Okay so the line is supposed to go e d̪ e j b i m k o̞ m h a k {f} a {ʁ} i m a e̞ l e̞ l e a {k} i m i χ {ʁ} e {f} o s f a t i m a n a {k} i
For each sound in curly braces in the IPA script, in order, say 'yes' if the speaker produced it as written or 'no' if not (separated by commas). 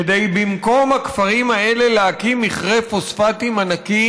yes, yes, yes, yes, yes, yes